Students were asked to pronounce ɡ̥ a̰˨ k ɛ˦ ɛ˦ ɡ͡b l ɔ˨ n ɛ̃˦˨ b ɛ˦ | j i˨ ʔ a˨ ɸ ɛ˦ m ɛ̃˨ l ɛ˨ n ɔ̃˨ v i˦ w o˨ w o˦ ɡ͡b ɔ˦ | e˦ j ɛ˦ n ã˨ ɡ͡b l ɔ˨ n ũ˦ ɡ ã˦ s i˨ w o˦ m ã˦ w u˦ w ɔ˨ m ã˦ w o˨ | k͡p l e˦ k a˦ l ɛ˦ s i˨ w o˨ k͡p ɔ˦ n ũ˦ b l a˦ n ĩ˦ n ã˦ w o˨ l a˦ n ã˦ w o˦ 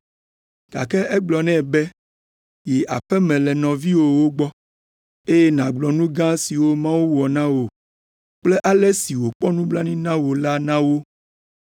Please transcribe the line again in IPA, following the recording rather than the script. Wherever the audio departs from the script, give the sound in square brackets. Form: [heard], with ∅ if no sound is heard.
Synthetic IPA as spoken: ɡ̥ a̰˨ k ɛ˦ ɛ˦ ɡ͡b l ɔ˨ n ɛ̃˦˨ b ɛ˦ | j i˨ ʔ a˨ ɸ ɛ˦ m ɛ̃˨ l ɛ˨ n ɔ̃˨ v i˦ w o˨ w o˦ ɡ͡b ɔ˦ | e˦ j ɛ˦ n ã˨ ɡ͡b l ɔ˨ n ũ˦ ɡ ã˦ s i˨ w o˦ m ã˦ w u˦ w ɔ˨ [n] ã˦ w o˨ | k͡p l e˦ [ʔ] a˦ l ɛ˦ s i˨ w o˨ k͡p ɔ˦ n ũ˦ b l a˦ n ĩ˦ n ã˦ w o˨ l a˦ n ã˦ w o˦